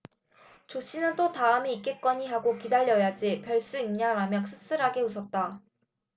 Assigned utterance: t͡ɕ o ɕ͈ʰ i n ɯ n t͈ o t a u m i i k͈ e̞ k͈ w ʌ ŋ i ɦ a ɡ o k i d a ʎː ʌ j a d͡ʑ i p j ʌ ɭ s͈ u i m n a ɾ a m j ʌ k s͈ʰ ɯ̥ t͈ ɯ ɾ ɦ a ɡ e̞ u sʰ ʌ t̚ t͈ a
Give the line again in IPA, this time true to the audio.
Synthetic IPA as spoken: t͡ɕ o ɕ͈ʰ i n ɯ n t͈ o t a ɯ m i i k͈ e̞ k͈ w ʌ ɲ i ɦ a ɡ o k i d a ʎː ʌ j a d͡ʑ i p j ʌ ɭ s͈ u i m ɲ a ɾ a m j ʌ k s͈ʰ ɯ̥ s͈ ɯ ɾ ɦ a ɡ e̞ u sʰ ʌ t̚ t͈ a